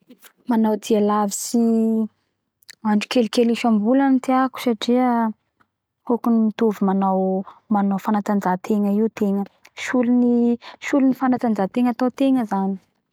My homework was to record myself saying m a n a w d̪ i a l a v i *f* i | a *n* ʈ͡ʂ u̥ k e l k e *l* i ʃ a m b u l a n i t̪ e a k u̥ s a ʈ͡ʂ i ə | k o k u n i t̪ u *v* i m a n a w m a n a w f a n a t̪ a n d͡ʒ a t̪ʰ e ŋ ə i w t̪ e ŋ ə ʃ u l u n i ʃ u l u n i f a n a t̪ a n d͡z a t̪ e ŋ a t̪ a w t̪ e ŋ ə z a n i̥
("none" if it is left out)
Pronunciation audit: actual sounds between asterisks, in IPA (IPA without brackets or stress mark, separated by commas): s, ɳ, l, v